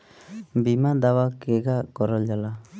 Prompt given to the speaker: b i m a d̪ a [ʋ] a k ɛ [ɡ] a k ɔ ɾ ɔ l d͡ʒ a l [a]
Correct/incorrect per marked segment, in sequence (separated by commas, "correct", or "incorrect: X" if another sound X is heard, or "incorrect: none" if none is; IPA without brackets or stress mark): incorrect: w, correct, correct